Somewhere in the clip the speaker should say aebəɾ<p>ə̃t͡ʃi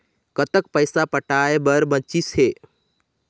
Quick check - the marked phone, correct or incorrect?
incorrect